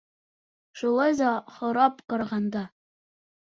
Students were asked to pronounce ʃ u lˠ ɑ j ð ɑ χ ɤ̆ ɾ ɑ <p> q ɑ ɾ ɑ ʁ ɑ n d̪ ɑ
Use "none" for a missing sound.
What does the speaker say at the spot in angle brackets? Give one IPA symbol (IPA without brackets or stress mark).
p